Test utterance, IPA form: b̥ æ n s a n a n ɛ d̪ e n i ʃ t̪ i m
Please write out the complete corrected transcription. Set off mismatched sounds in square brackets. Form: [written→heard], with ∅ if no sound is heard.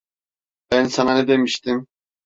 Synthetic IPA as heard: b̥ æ n s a n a n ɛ d̪ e [n→m] i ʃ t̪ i m